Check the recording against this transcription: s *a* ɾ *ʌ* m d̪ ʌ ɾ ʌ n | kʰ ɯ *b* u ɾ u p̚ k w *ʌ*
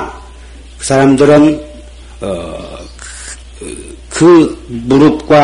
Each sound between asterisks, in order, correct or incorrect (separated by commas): correct, incorrect, correct, incorrect